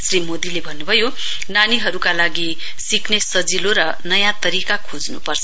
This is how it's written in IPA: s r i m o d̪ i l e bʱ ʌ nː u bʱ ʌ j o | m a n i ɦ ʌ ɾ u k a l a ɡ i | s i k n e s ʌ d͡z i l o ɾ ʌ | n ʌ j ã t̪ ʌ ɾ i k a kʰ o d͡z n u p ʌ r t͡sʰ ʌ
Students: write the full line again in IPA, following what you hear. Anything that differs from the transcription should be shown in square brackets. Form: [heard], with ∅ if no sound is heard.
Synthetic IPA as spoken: s r i m o d̪ i l e bʱ ʌ nː u bʱ ʌ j o | [n] a n i ɦ ʌ ɾ u k a l a ɡ i | s i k n e s ʌ d͡z i l o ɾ ʌ | n ʌ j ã t̪ ʌ ɾ i k a kʰ o d͡z n u p ʌ r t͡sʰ ʌ